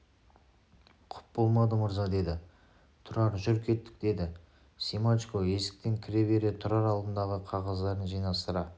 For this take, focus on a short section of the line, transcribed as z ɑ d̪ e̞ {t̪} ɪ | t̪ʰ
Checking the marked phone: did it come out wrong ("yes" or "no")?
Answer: yes